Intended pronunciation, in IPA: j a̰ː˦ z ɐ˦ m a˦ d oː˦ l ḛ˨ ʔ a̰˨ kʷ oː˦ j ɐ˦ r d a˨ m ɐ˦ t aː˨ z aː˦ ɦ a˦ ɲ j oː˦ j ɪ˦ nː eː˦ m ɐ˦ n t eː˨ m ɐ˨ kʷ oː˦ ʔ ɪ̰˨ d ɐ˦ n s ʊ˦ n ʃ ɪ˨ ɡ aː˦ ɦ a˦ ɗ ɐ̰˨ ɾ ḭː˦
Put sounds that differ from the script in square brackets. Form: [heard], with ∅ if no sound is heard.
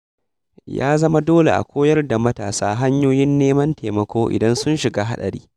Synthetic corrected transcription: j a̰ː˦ z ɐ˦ m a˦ d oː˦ l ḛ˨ ʔ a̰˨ kʷ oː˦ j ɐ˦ r d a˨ m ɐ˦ t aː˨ [s] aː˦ ɦ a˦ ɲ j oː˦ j ɪ˦ nː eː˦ m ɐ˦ n t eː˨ m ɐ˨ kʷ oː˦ ʔ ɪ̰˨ d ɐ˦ n s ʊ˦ n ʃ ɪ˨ ɡ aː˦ ɦ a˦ ɗ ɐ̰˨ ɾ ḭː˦